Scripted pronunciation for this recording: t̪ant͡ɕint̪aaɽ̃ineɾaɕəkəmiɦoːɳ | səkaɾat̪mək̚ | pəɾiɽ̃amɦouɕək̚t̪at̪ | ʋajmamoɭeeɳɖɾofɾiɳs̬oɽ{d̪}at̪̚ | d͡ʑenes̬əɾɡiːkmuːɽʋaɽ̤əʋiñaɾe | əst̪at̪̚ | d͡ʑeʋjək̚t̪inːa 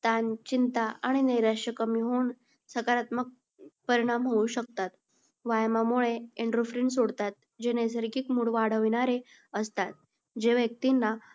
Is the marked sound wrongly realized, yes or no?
yes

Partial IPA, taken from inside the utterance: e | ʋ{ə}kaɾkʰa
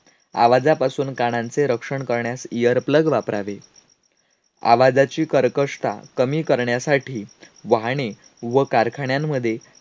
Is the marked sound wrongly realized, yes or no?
no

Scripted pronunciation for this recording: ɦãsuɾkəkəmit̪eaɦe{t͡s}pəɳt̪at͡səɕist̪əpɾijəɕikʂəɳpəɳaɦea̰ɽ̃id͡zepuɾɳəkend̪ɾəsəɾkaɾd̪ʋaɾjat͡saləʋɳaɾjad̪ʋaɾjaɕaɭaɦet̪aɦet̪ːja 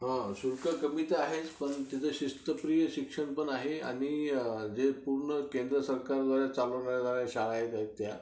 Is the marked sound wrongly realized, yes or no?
no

